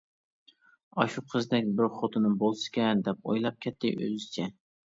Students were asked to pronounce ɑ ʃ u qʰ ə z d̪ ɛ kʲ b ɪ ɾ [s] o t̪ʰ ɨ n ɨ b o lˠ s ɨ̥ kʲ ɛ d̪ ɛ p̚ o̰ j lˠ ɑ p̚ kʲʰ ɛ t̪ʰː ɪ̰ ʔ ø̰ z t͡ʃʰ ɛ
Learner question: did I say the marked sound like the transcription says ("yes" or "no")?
no